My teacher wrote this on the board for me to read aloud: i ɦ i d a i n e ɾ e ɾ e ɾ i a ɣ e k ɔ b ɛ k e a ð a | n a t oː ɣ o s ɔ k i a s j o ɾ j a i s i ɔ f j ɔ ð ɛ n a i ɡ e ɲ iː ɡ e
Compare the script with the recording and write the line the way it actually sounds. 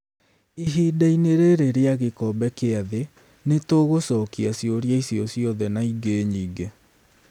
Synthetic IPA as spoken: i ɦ i d a i n e ɾ e ɾ e ɾ e a ɣ e k ɔ b ɛ k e a ð e | n e t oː ɣ o s ɔ k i a s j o ɾ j a i s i ɔ s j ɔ ð ɛ n a i ɡ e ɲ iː ɡ e

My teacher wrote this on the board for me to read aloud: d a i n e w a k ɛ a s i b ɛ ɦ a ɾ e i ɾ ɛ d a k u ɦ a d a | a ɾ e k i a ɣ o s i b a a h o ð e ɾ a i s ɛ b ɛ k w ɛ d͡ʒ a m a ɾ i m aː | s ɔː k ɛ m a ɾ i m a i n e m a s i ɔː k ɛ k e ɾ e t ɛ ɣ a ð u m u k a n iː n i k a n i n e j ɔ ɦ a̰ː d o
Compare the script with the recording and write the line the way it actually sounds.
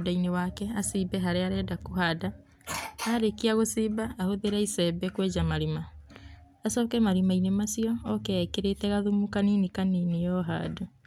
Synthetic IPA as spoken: d a i n e w a k ɛ a s i b ɛ ɦ a ɾ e a ɾ ɛ d a k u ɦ a d a | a ɾ e k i a ɣ o s i b a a h o ð e ɾ a i s ɛ b ɛ k w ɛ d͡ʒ a m a ɾ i m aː | s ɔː k ɛ m a ɾ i m a i n e m a s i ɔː k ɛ k e ɾ e t ɛ ɣ a ð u m u k a n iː n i k a n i n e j ɔ ɦ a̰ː d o

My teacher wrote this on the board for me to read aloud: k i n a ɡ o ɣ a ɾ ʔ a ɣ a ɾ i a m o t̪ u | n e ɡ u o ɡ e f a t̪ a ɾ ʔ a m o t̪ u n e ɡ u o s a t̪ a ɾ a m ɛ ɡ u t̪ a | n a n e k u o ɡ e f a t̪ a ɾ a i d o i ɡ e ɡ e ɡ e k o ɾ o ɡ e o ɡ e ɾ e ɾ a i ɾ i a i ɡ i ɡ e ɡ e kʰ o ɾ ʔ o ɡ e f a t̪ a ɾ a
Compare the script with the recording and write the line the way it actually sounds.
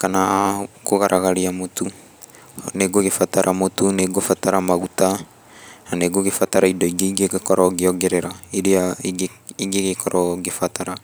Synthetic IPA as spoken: k a n a ɡ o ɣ a ɾ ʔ a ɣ a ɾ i a m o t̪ u | n e ɡ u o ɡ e f a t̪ a ɾ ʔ a m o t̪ u n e ɡ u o f a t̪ a ɾ a m a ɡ u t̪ a | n a n e ɡ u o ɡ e f a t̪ a ɾ a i d o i ɡ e ɡ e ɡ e k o ɾ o ɡ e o ɡ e ɾ e ɾ a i ɾ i a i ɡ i ɡ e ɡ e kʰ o ɾ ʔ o ɡ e f a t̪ a ɾ a

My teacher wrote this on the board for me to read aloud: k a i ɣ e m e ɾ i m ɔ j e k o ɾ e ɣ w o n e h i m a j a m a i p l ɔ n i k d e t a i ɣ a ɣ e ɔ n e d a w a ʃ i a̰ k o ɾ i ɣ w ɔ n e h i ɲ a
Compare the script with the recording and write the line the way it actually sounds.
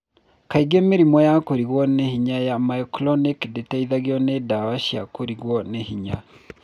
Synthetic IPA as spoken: k a i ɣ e m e ɾ i m ɔ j a k o ɾ i ɣ w ɔ n e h i ɲ a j a m a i k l ɔ n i k d e t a i ð a ɣ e ɔ n e d a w a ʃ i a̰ k o ɾ i ɣ w ɔ n e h i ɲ a

